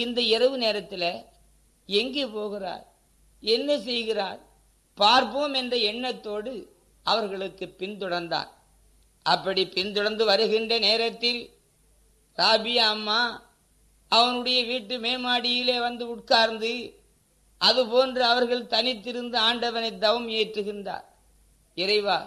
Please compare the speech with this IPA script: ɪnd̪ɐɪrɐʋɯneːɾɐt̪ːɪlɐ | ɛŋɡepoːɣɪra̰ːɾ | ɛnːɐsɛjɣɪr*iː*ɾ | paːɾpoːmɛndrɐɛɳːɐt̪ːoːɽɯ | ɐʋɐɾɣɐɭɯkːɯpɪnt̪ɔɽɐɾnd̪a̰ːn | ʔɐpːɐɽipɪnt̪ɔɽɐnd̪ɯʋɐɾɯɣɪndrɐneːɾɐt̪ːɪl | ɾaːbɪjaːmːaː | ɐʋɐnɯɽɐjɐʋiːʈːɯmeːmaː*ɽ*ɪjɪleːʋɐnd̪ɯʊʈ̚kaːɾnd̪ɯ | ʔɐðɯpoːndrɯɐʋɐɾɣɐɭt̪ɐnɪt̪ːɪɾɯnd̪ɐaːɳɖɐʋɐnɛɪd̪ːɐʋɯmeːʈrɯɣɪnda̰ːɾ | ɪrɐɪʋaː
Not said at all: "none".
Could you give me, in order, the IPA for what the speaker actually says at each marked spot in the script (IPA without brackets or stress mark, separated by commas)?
aː, ɽ